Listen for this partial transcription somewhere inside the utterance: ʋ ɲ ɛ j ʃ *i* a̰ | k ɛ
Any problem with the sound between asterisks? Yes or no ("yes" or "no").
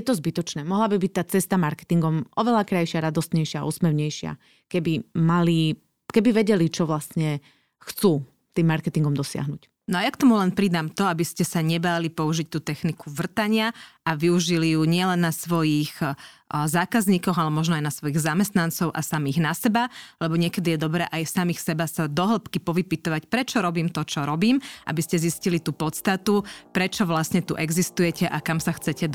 yes